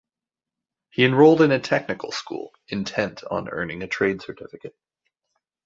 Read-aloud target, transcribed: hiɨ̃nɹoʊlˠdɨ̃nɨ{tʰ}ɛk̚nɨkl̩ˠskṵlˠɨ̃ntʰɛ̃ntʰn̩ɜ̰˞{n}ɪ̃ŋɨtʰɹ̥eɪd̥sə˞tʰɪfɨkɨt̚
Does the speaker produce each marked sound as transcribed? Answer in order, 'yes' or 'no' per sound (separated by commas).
yes, yes